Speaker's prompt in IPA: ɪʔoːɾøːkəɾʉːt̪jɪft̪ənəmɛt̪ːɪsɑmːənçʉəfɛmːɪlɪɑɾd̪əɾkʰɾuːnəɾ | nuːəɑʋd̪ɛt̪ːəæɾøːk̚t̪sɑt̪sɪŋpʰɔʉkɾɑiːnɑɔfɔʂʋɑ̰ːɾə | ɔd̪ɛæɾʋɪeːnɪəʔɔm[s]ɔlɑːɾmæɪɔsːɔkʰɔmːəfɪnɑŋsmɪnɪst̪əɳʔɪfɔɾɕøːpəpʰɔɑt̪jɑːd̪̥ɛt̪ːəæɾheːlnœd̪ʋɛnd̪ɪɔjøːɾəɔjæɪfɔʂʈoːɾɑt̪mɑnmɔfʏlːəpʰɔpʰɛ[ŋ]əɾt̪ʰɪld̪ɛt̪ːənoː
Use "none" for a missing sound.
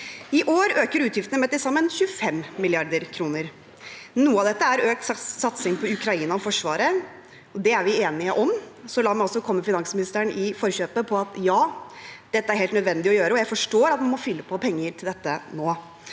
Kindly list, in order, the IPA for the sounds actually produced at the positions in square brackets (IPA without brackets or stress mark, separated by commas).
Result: s, ŋː